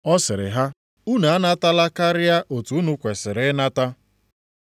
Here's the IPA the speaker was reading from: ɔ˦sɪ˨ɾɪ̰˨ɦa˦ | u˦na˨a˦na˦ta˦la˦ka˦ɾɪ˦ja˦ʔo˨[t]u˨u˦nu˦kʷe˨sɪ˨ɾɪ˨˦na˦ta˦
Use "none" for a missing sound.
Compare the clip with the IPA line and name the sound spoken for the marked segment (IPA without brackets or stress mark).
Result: t